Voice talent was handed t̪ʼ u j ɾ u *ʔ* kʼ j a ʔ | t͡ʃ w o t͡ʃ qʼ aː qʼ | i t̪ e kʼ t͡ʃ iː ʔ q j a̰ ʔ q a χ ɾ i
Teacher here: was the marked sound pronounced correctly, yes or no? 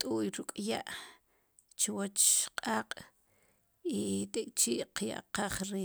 no